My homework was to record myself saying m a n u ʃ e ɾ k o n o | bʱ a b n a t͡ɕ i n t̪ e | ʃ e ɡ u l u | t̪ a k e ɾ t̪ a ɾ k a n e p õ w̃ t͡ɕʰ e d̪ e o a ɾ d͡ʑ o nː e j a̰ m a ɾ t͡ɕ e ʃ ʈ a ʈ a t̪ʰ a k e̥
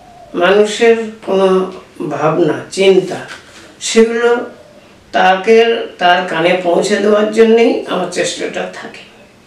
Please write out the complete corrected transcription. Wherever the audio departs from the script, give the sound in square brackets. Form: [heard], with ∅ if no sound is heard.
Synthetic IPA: m a n u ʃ e ɾ k o n o | bʱ a b n a t͡ɕ i n t̪ [a] | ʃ e ɡ u l [o] | t̪ a k e ɾ t̪ a ɾ k a n e p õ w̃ t͡ɕʰ e d̪ e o a ɾ d͡ʑ o nː e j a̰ m a ɾ t͡ɕ e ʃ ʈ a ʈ a t̪ʰ a k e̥